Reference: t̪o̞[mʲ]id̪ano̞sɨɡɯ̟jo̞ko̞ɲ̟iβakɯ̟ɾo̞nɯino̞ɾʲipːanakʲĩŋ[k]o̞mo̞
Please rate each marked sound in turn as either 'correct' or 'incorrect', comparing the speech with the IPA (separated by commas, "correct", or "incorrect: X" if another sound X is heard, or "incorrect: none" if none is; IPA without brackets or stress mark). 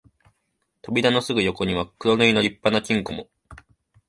incorrect: bʲ, correct